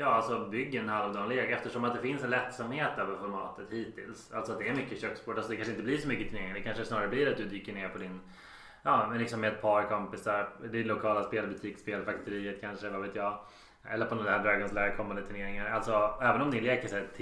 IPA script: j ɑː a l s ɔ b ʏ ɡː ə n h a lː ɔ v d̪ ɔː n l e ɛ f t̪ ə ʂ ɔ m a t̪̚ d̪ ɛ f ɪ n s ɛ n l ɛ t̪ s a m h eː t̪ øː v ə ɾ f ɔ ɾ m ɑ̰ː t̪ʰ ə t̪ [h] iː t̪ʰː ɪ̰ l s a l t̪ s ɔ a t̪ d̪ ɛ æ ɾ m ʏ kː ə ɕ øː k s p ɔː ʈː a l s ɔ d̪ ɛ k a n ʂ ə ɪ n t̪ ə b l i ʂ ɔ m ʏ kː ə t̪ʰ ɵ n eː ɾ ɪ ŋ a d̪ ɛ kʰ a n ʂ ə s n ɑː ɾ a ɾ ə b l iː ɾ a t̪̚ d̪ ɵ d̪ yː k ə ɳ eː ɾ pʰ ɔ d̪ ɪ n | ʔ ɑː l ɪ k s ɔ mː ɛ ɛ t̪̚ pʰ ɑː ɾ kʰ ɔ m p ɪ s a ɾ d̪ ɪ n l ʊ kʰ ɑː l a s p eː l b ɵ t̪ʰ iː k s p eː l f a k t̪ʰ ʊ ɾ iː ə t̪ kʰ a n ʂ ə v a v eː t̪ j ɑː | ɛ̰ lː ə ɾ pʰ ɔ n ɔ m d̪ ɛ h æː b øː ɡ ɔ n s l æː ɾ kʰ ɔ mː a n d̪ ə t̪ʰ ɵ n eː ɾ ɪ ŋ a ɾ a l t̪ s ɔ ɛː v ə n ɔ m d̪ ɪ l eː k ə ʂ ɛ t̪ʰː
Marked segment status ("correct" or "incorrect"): correct